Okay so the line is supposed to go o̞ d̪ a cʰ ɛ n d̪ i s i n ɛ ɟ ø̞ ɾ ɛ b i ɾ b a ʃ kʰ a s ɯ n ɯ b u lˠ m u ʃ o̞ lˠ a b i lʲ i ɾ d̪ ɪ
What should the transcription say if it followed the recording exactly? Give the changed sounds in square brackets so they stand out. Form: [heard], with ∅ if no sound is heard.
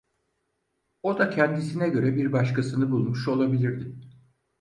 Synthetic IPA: o̞ d̪ a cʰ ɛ n d̪ i s i n ɛ ɟ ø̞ ɾ ɛ b i ɾ b a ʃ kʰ a s ɯ n ɯ b u lˠ m u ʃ o̞ lˠ a b i lʲ i ɾ d̪ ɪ